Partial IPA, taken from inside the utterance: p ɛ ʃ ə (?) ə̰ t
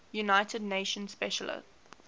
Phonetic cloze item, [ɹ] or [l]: l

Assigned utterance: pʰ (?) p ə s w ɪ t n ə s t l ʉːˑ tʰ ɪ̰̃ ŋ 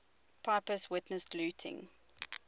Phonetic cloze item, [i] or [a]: a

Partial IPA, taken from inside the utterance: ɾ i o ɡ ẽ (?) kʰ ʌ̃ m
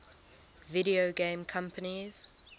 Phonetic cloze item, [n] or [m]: m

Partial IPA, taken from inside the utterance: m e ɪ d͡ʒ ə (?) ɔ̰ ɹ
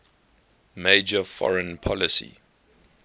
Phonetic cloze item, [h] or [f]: f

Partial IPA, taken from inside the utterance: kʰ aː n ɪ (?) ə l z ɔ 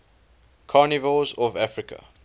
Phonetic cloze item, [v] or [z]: v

